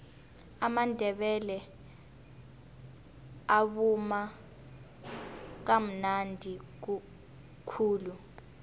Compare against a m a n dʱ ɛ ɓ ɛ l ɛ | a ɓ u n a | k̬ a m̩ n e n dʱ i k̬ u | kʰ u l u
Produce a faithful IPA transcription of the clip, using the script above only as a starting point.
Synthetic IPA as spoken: a m a n dʱ ɛ ɓ ɛ l ɛ | a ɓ u m a | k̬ a m̩ n a n dʱ i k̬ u | kʰ uː l u